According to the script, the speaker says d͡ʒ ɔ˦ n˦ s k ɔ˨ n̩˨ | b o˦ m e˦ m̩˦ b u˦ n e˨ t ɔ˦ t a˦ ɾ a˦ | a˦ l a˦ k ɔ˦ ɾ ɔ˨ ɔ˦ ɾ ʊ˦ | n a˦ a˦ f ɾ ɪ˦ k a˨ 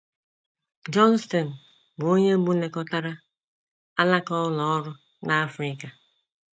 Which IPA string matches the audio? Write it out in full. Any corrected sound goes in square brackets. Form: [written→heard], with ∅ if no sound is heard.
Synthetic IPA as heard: d͡ʒ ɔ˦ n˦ s [k→t] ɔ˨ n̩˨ | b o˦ [m→ɲ] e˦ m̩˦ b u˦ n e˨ [t→k] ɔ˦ t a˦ ɾ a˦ | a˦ l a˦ k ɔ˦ [ɾ→l] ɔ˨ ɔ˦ ɾ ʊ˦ | n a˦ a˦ f ɾ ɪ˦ k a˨